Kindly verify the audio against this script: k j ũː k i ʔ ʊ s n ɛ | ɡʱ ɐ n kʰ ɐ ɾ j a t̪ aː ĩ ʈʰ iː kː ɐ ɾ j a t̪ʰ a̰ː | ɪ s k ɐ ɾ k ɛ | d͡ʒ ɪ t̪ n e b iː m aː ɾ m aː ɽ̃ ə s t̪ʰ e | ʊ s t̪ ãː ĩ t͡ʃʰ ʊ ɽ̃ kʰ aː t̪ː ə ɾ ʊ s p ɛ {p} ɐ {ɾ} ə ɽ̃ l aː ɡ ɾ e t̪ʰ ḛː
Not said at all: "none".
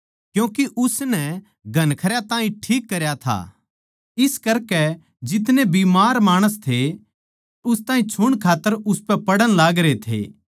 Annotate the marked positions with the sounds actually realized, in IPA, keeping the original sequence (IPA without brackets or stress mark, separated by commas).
p, ɽ